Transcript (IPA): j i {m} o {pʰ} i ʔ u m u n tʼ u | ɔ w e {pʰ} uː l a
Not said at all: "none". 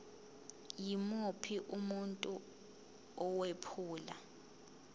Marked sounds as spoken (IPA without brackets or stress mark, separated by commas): m, pʰ, pʰ